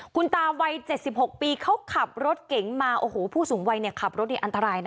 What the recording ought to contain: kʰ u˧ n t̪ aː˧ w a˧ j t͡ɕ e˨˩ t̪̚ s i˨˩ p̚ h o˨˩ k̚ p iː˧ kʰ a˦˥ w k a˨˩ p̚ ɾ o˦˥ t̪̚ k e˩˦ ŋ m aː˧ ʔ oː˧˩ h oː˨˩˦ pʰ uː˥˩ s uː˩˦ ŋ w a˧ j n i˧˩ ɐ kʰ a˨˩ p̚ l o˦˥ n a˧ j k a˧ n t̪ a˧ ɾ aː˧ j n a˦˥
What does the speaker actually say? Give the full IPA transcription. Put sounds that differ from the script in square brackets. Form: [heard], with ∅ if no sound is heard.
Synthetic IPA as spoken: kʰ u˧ n t̪ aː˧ w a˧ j t͡ɕ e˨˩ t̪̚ s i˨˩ p̚ h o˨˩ k̚ p iː˧ kʰ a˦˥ w [kʰ] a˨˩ p̚ ɾ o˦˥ t̪̚ k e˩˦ ŋ m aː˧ ʔ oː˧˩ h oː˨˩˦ pʰ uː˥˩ s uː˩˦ ŋ w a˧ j n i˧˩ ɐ kʰ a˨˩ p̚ [ɾ] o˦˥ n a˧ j [ʔ] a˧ n t̪ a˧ ɾ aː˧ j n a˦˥